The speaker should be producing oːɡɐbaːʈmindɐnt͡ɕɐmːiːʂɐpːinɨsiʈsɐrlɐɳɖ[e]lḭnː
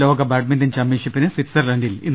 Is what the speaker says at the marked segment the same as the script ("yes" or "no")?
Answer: no